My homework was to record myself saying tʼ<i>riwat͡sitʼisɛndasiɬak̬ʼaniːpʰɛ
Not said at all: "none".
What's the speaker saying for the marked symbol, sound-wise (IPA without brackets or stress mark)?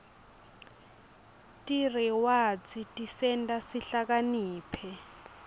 i